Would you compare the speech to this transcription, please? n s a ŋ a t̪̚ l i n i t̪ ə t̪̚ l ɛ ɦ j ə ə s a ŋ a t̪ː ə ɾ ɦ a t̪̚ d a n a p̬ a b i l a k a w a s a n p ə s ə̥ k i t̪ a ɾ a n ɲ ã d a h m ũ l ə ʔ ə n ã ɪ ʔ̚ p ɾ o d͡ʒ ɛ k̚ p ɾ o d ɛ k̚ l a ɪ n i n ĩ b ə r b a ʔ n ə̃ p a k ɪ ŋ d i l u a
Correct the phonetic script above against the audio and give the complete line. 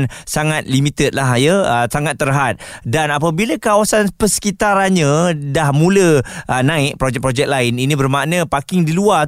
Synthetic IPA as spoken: n s a ŋ a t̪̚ l i m i t̪ ə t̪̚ l a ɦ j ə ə s a ŋ a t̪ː ə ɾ ɦ a t̪̚ d a n a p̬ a b i l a k a w a s a n p ə s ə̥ k i t̪ a ɾ a n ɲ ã d a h m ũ l ə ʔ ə n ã ɪ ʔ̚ p ɾ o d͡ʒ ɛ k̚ p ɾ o d͡ʒ ɛ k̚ l a ɪ n i n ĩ b ə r m a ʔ n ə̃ p a k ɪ ŋ d i l u a